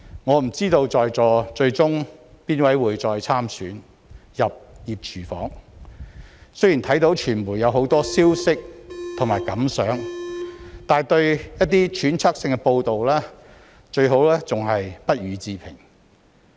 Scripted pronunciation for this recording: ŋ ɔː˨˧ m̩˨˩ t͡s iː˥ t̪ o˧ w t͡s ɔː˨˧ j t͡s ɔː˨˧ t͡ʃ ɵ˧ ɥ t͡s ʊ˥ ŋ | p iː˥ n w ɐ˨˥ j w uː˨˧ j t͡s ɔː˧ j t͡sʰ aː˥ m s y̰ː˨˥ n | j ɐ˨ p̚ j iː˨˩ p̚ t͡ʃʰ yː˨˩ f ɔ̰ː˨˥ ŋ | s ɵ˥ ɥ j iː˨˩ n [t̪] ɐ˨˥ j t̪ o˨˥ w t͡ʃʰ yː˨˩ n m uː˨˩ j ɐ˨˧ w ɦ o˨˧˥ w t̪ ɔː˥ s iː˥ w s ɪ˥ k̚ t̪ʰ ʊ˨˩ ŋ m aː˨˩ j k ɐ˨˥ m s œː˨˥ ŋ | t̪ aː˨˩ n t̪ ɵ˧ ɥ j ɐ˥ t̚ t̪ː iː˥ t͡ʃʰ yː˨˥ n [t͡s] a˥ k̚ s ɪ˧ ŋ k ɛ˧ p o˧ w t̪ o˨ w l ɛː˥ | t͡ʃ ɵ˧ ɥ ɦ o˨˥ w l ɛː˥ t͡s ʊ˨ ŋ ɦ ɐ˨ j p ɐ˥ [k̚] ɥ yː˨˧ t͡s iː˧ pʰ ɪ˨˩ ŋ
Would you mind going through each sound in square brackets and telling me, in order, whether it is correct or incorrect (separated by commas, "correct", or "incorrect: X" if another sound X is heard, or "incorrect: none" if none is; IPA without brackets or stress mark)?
incorrect: t̪ʰ, incorrect: t͡sʰ, incorrect: t̚